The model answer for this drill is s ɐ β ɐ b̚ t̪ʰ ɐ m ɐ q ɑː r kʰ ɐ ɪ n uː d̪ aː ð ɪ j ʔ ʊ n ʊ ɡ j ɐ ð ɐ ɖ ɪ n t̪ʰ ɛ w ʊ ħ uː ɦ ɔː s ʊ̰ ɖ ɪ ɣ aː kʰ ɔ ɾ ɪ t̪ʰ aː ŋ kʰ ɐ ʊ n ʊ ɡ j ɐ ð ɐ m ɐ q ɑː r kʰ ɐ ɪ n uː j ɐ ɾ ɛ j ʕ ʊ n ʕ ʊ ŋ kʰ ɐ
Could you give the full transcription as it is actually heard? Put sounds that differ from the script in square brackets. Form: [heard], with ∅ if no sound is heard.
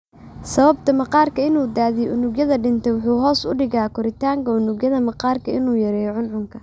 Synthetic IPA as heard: s ɐ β ɐ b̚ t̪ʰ ɐ m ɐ q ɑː r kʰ ɐ ɪ n uː d̪ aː ð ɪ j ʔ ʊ n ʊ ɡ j ɐ ð ɐ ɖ ɪ n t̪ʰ ɛ w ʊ ħ uː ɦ ɔː s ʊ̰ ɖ ɪ ɣ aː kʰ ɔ ɾ ɪ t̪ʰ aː ŋ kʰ ɐ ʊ n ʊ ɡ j ɐ ð ɐ m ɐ q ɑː r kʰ ɐ ɪ n uː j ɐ ɾ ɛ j ʕ ʊ n ʕ ʊ ŋ kʰ ɐ